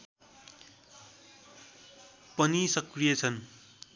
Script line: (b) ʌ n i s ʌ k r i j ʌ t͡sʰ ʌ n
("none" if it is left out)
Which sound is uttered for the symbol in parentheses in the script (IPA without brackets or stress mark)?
p